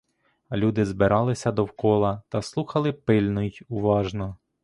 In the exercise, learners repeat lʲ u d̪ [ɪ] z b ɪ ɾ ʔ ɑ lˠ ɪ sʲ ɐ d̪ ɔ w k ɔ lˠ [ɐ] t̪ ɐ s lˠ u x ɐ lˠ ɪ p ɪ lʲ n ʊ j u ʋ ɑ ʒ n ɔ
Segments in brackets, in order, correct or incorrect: correct, correct

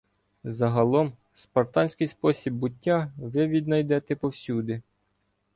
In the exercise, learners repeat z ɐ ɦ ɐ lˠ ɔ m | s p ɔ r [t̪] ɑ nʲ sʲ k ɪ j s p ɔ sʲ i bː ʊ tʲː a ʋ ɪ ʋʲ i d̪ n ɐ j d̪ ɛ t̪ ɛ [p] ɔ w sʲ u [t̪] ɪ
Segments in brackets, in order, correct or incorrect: correct, correct, incorrect

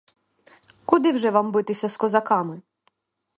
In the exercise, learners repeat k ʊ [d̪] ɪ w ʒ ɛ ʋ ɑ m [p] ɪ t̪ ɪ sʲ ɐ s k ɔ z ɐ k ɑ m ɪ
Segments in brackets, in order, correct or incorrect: correct, incorrect

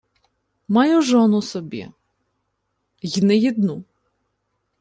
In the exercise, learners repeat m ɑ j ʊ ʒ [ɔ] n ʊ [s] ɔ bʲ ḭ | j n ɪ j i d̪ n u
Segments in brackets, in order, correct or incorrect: correct, correct

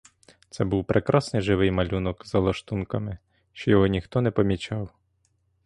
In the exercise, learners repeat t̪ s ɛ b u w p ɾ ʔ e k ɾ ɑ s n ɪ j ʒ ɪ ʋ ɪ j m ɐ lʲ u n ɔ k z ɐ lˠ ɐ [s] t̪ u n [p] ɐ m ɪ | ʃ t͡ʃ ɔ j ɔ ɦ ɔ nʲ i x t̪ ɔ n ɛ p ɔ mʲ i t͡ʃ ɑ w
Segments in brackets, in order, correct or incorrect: incorrect, incorrect

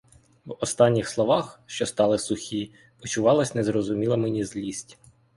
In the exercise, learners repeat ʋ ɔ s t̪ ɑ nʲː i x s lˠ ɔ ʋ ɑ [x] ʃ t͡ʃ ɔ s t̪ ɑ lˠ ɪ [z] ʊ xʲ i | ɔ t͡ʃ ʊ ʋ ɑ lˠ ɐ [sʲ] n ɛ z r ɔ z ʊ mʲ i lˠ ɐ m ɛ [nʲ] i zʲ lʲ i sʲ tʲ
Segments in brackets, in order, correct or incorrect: correct, incorrect, correct, correct

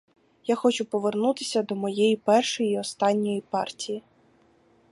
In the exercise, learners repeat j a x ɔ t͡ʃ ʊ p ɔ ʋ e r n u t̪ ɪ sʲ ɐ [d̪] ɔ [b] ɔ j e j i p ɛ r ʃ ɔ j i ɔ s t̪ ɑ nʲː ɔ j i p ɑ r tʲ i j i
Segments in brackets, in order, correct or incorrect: correct, incorrect

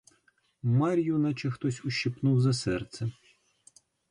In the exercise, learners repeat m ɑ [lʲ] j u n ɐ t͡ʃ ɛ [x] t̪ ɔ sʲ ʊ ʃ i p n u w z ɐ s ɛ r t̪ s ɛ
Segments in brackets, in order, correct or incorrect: incorrect, correct

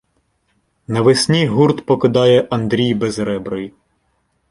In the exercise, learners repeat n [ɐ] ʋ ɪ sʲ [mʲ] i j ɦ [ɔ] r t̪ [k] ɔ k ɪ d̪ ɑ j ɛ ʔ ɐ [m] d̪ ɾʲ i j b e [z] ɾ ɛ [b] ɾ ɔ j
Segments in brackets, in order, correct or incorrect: correct, incorrect, incorrect, incorrect, incorrect, correct, correct

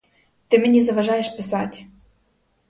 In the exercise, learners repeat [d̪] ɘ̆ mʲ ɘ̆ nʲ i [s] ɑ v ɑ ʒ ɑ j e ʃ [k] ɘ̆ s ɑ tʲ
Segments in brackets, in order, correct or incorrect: incorrect, incorrect, incorrect

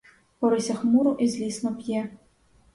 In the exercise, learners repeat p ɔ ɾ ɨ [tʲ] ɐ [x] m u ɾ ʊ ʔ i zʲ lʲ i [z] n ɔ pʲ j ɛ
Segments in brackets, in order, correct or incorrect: incorrect, correct, incorrect

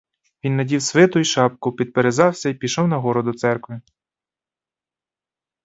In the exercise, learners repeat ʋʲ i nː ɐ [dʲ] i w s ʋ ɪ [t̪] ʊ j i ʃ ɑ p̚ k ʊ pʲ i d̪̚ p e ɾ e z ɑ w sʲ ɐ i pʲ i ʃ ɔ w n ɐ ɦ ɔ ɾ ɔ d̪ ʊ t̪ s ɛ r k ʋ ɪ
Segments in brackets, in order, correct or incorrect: correct, correct

